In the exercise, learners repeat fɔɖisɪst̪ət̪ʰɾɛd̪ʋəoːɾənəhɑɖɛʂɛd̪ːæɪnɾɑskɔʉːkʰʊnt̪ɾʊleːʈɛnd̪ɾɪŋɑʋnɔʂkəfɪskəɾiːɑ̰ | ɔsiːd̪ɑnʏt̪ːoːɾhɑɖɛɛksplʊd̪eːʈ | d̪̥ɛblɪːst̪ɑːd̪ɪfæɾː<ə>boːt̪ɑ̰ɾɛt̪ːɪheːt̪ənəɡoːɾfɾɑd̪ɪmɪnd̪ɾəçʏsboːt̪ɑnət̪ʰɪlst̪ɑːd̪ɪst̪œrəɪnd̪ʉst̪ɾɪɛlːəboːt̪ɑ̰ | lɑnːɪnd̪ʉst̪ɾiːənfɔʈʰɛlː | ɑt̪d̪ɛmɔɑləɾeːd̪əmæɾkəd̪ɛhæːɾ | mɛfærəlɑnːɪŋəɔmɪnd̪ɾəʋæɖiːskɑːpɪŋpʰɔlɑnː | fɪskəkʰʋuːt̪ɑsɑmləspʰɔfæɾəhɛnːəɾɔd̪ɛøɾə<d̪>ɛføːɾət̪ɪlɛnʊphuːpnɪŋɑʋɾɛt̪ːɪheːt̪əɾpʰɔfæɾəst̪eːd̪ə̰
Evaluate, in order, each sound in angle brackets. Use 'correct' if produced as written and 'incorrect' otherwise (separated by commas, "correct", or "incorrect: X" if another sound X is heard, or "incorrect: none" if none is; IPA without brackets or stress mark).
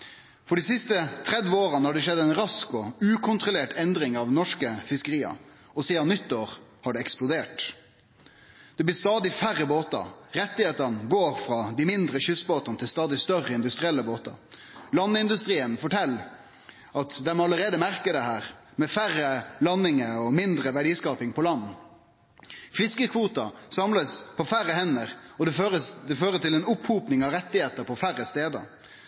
correct, correct